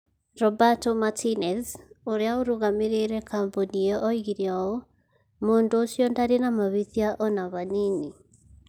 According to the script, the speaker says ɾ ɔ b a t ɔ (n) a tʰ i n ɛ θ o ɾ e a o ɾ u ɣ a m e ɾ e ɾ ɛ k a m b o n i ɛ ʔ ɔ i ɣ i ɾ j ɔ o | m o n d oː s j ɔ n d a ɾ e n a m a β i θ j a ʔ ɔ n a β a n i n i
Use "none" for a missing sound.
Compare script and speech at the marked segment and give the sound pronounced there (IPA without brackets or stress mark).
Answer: m